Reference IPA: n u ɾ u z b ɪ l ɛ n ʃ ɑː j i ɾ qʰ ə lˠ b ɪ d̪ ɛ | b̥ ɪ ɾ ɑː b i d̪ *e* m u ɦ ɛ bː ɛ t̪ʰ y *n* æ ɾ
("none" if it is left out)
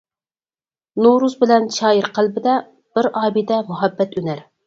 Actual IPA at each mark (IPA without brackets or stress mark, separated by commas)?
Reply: ɛ, n